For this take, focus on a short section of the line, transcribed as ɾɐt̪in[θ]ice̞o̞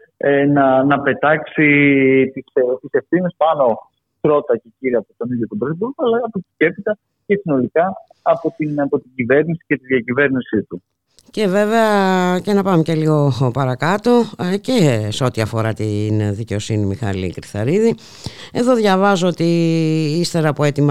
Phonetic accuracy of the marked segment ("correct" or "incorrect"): incorrect